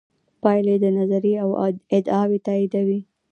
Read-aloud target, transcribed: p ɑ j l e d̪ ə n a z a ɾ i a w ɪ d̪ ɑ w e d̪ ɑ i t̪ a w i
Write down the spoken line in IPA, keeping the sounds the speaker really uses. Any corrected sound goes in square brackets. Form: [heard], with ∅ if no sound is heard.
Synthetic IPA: p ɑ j l e d̪ ə n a z a ɾ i a w ɪ d̪ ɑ w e [t̪] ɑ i [d̪] a w i